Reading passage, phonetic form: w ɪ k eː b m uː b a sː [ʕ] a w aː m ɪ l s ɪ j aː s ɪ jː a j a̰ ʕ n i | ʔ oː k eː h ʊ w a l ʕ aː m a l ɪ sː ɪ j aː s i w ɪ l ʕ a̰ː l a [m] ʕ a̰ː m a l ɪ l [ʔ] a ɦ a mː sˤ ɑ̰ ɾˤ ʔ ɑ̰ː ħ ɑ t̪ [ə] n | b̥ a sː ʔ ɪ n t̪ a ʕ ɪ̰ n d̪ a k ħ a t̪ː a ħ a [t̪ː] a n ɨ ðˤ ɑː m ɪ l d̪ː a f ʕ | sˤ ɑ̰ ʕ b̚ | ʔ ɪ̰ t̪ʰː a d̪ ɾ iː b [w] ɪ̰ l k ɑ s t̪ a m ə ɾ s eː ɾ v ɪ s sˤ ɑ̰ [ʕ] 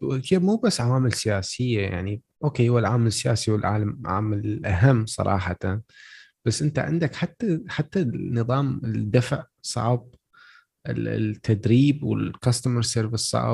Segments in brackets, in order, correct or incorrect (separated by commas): correct, correct, correct, incorrect, correct, correct, correct